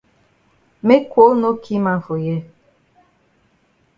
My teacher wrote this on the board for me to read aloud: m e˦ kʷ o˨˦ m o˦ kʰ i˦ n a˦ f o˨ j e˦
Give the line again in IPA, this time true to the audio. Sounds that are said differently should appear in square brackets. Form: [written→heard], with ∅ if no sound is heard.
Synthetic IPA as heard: m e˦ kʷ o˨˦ [m→n] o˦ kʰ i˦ [n→m] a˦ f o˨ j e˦